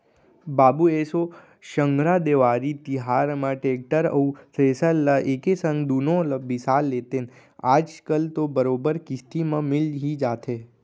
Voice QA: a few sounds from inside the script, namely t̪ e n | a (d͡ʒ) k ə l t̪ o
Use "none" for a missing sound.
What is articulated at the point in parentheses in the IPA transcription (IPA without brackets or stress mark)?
d͡ʒ